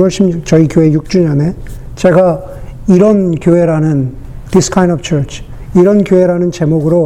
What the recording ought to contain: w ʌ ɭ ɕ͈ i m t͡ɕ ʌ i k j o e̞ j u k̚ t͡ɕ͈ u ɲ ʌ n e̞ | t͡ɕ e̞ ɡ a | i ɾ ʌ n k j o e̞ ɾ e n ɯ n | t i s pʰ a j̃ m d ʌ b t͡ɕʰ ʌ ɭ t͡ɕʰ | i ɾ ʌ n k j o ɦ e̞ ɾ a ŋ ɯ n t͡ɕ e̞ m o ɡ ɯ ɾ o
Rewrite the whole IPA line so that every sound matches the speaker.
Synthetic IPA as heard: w ʌ ɭ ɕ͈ i m t͡ɕ ʌ i k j o e̞ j u k̚ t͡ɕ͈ u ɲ ʌ n e̞ | t͡ɕ e̞ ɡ a | i ɾ ʌ n k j o e̞ ɾ a n ɯ n | t i s kʰ a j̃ n d ʌ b t͡ɕʰ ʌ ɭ t͡ɕʰ | i ɾ ʌ n k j o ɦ e̞ ɾ a n ɯ n t͡ɕ e̞ m o ɡ ɯ ɾ o